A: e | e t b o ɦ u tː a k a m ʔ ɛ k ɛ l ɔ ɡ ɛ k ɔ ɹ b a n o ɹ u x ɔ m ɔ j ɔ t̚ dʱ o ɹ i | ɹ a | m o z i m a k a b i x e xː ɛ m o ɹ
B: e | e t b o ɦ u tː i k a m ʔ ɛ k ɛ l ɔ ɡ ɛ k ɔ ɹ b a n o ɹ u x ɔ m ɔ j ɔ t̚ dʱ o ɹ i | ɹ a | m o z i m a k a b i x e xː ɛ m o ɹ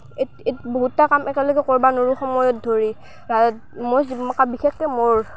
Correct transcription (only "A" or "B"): A